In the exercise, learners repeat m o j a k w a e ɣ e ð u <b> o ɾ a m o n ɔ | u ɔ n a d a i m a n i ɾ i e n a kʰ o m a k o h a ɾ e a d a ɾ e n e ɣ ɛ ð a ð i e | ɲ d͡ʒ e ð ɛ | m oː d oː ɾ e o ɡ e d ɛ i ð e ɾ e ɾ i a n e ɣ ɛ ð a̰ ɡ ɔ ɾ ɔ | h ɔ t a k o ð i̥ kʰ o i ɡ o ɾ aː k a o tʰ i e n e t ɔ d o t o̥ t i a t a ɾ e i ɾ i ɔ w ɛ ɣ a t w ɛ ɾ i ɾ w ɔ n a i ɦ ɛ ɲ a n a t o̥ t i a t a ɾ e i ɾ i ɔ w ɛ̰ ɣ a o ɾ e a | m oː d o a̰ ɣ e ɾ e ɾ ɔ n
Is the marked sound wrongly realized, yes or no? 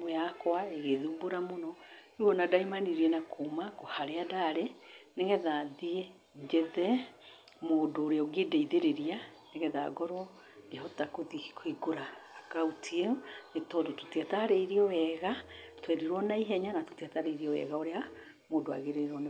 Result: no